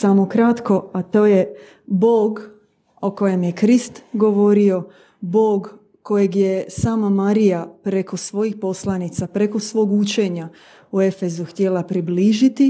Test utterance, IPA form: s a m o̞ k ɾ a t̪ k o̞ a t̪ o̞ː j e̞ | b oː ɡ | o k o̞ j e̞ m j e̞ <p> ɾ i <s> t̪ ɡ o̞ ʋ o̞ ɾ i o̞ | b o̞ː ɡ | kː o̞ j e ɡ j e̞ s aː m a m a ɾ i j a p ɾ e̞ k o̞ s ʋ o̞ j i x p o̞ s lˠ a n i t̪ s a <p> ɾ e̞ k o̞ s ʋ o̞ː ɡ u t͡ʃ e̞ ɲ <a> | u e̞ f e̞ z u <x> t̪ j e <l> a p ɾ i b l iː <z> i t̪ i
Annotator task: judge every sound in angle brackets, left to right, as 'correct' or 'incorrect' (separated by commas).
incorrect, correct, correct, correct, correct, correct, incorrect